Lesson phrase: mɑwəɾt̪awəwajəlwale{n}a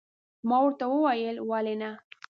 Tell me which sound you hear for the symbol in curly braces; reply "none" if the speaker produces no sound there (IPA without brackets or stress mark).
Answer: n